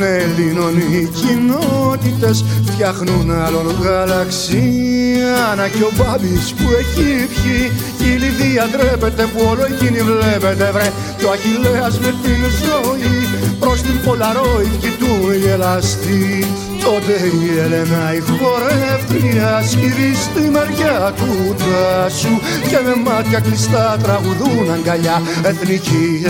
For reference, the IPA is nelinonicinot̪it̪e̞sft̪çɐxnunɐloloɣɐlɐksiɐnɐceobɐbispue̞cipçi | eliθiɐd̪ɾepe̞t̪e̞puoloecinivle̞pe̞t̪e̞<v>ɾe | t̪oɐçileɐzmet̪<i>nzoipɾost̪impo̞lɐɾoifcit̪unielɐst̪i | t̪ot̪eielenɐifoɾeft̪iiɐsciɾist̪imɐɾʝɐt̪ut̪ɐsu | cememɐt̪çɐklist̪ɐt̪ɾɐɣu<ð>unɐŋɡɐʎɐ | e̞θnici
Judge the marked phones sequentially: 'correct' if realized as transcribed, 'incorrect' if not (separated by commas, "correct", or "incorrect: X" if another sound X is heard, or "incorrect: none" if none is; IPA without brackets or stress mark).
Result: correct, correct, correct